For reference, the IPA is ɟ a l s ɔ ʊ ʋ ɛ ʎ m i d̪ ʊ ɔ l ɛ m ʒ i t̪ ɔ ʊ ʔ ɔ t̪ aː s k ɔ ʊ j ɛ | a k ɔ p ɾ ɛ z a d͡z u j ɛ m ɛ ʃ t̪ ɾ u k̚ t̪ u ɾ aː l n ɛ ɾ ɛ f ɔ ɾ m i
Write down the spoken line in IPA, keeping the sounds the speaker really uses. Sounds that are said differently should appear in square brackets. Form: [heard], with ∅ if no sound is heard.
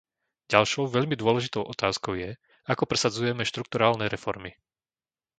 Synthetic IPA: ɟ a l [ʃ] ɔ ʊ ʋ ɛ ʎ m i d̪ ʊ ɔ l ɛ [∅] ʒ i t̪ ɔ ʊ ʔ ɔ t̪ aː s k ɔ ʊ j ɛ | a k ɔ p ɾ ɛ [s] a d͡z u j ɛ m ɛ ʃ t̪ ɾ u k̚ t̪ u ɾ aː l n ɛ ɾ ɛ f ɔ ɾ m i